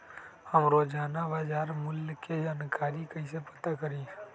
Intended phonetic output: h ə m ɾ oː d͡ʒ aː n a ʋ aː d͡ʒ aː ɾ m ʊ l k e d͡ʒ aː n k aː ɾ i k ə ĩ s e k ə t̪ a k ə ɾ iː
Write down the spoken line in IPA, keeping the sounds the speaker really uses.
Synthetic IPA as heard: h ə m ɾ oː d͡ʒ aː n a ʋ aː d͡ʒ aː ɾ m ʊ l k e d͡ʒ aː n k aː ɾ i k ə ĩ s e p ə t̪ a k ə ɾ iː